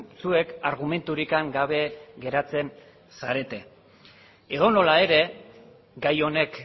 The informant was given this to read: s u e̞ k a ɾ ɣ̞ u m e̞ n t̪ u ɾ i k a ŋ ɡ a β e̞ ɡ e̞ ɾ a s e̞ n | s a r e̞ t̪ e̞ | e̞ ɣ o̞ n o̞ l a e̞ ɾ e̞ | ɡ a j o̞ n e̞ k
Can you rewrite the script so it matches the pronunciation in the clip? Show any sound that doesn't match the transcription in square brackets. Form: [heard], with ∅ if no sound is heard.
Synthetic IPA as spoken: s u e̞ k a ɾ ɣ̞ u m e̞ n t̪ u ɾ i k a ŋ ɡ a β e̞ ɡ e̞ ɾ a [t͡s] e̞ n | s a [ɾ] e̞ t̪ e̞ | e̞ [ð] o̞ n o̞ l a e̞ ɾ e̞ | ɡ a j o̞ n e̞ k

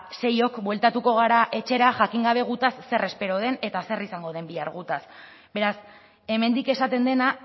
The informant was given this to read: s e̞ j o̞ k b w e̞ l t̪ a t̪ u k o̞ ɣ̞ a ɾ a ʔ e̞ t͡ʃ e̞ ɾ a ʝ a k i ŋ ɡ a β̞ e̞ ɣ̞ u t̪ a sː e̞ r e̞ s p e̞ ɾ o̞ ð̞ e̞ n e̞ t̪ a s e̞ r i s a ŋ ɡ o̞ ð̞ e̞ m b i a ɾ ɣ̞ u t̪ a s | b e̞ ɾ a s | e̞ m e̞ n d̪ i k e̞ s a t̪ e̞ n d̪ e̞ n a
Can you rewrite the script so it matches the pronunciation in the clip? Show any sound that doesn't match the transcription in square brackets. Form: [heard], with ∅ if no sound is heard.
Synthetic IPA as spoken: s e̞ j o̞ k b w e̞ l t̪ a t̪ u k o̞ ɣ̞ a ɾ a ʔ e̞ t͡ʃ e̞ ɾ a ʝ a k i ŋ ɡ a β̞ e̞ ɣ̞ u t̪ a sː e̞ r e̞ s p e̞ ɾ o̞ ð̞ e̞ n e̞ t̪ a s e̞ r i s a ŋ ɡ o̞ ð̞ e̞ m b i a ɾ ɣ̞ u t̪ a s | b e̞ ɾ a s | e̞ m e̞ n d̪ i k e̞ s a t̪ e̞ n d̪ e̞ n a

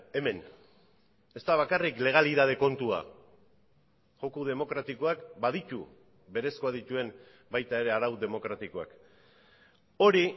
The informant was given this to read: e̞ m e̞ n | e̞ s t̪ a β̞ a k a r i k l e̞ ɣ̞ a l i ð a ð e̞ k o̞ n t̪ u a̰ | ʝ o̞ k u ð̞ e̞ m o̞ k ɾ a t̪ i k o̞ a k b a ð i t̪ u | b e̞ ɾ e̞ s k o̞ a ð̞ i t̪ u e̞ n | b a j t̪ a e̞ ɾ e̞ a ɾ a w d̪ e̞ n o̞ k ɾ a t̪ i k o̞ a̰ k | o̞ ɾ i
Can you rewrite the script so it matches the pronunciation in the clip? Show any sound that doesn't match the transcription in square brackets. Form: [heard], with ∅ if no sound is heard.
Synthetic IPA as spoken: e̞ m e̞ n | e̞ s t̪ a β̞ a k a r i k l e̞ ɣ̞ a l i ð a ð e̞ k o̞ n t̪ u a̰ | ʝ o̞ k u ð̞ e̞ m o̞ k ɾ a t̪ i k o̞ a k b a ð i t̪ u | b e̞ ɾ e̞ s k o̞ a ð̞ i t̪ u e̞ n | b a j t̪ a e̞ ɾ e̞ a ɾ a w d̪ e̞ [m] o̞ k ɾ a t̪ i k o̞ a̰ k | o̞ ɾ i

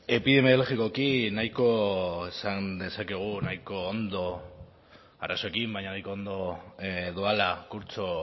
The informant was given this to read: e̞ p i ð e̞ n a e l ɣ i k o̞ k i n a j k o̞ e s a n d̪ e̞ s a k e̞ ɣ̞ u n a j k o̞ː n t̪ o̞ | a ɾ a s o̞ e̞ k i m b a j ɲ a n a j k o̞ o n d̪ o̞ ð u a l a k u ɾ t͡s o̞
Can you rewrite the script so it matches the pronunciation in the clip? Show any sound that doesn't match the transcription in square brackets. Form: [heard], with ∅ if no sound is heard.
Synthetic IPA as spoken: e̞ p i ð e̞ [m] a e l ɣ i k o̞ k i n a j k o̞ e s a n d̪ e̞ s a k e̞ ɣ̞ u n a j k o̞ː n [d̪] o̞ | a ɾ a s o̞ e̞ k i m b a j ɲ a n a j k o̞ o n d̪ o̞ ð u a l a k u ɾ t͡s o̞

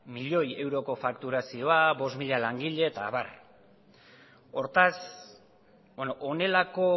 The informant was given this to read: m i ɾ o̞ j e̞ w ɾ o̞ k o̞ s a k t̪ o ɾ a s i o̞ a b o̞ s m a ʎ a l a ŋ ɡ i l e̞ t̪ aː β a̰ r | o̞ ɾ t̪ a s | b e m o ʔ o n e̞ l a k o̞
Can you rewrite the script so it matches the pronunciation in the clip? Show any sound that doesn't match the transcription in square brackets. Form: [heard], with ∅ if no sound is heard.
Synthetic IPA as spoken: m i [ʎ] o̞ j e̞ w ɾ o̞ k o̞ [f] a k t̪ [u] ɾ a s i o̞ a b o̞ s m [i] ʎ a l a ŋ ɡ i [ʎ] e̞ t̪ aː β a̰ r | o̞ ɾ t̪ a s | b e [n] o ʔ o n e̞ l a k o̞

